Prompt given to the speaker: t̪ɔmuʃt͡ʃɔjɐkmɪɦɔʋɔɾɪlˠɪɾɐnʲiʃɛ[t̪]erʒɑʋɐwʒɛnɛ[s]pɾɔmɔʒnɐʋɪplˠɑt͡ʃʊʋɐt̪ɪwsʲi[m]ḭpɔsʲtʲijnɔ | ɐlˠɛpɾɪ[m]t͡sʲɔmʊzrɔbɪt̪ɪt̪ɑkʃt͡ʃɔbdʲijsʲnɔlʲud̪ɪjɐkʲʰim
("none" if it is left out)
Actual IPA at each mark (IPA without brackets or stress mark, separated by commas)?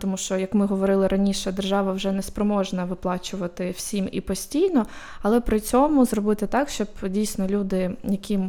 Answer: d̪, s, m, none